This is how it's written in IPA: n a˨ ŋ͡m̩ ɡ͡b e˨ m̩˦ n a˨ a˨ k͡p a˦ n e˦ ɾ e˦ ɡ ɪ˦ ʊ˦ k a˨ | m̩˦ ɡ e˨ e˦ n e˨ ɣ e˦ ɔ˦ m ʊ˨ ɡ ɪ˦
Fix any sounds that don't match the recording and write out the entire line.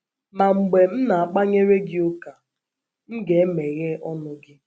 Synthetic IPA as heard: m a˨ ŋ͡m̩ ɡ͡b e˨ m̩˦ n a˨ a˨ k͡p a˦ ɲ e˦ ɾ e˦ ɡ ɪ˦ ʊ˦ k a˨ | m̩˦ ɡ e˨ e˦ m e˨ ɣ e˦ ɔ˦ n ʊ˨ ɡ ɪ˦